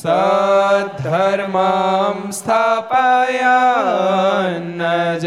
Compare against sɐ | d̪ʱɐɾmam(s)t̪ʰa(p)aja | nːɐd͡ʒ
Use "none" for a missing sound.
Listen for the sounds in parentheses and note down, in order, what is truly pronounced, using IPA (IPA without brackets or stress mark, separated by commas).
s, p